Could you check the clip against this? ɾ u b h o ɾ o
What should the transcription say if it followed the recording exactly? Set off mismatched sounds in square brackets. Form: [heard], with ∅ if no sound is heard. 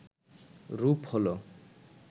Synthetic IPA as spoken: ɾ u [p] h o [l] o